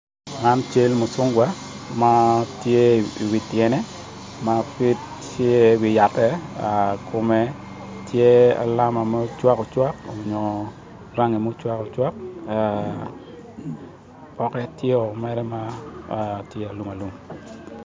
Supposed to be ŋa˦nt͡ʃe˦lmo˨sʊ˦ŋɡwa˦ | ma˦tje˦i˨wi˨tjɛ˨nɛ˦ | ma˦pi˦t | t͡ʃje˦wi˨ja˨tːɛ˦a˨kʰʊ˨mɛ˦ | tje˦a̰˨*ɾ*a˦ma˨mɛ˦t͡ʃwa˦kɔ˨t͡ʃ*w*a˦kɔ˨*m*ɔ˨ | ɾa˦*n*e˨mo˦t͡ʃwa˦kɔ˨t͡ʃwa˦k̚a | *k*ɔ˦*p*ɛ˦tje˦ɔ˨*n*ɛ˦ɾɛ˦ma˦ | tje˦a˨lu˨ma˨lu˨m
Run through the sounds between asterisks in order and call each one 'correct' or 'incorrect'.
incorrect: l, correct, incorrect: ɲ, incorrect: ŋ, incorrect: p, incorrect: k, incorrect: m

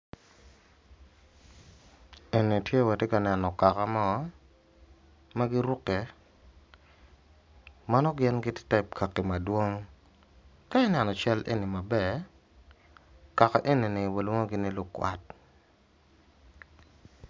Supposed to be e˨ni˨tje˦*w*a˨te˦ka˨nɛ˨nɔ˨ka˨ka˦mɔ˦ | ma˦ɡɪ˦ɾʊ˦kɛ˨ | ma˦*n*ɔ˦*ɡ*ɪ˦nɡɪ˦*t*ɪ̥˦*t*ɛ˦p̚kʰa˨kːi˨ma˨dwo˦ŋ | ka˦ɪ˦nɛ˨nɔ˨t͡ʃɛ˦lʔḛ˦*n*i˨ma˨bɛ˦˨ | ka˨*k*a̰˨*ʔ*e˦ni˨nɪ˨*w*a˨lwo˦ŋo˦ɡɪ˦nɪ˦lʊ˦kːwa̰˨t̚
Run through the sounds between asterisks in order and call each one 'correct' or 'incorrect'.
correct, correct, correct, correct, correct, correct, correct, correct, correct

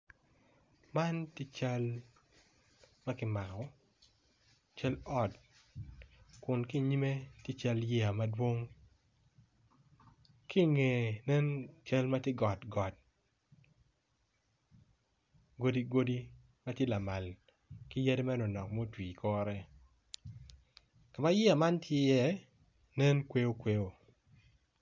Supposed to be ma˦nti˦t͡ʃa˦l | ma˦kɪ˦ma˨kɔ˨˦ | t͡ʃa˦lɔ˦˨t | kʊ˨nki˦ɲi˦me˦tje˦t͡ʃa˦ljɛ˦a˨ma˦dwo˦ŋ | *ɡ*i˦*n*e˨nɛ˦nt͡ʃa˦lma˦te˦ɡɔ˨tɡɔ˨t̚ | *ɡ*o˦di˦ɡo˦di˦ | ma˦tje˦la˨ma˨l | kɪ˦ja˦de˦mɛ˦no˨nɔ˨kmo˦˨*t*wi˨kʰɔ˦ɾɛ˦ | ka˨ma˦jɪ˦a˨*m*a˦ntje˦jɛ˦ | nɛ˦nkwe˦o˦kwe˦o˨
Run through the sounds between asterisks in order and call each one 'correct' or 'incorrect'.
incorrect: k, incorrect: ŋ, correct, correct, correct

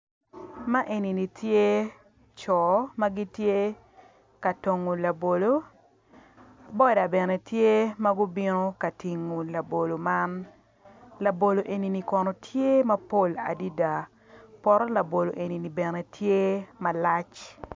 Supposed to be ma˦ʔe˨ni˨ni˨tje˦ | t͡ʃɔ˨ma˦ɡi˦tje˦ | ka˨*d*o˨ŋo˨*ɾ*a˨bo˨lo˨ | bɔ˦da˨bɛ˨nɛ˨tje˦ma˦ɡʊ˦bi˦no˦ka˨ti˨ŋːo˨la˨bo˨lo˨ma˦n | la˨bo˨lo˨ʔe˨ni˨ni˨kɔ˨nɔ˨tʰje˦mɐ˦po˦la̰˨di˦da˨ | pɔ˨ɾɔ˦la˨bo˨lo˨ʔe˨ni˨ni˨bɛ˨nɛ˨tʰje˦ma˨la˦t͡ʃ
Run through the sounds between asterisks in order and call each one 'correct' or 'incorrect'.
incorrect: t, incorrect: l

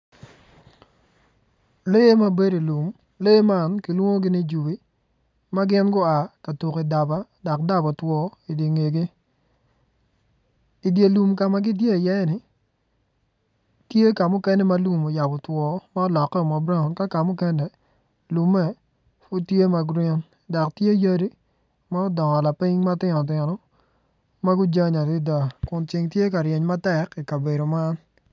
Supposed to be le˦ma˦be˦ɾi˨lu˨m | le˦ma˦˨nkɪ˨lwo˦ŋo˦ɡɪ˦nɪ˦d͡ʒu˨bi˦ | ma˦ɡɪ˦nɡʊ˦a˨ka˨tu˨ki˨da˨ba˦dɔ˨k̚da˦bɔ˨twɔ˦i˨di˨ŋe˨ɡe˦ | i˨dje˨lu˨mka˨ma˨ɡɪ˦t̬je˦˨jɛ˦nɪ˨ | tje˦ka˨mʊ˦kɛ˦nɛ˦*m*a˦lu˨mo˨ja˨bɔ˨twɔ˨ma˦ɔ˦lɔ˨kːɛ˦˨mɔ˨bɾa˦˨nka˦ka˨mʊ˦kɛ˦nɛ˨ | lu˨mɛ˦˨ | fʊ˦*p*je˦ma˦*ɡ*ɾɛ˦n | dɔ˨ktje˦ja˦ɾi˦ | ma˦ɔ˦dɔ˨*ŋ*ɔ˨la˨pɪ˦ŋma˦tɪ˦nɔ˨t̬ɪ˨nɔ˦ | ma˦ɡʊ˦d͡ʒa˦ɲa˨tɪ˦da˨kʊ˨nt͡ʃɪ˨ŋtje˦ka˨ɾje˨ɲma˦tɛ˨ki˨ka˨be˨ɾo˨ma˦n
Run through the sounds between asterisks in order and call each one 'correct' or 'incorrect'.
correct, incorrect: t, correct, correct

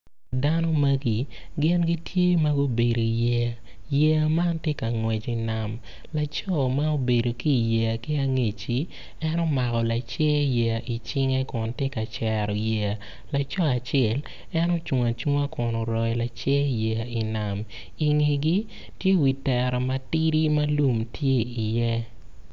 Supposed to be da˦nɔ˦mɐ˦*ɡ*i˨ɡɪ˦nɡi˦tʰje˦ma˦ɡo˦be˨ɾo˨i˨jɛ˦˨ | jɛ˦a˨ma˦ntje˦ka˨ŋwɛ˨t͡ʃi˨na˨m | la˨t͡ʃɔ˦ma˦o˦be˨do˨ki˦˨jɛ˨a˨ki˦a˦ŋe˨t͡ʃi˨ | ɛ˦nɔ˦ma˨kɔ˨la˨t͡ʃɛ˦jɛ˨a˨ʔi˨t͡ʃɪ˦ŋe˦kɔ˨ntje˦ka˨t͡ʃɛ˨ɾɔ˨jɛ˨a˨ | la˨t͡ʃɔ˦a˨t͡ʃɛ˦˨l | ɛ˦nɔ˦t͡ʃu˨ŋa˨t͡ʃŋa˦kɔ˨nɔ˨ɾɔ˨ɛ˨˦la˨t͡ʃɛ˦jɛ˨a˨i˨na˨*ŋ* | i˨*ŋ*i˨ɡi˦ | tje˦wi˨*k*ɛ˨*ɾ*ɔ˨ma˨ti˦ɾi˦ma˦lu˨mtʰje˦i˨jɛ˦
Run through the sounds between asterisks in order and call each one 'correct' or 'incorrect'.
correct, incorrect: m, correct, incorrect: t, correct

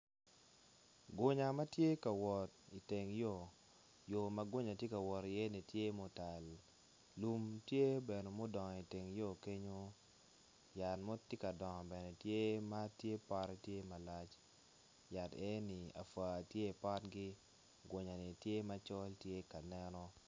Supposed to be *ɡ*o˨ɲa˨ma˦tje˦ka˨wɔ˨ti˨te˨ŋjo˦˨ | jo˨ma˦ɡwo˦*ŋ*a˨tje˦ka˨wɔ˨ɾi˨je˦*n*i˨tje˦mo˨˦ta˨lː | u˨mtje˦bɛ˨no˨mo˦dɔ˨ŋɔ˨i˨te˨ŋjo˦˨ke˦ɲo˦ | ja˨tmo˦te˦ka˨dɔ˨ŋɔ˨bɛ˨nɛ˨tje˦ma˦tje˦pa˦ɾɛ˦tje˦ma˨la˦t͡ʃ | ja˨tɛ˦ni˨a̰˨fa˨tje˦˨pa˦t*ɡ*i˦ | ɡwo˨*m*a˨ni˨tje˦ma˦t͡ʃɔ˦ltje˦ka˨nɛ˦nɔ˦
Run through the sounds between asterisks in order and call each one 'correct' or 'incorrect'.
correct, incorrect: ɲ, correct, correct, incorrect: ɲ

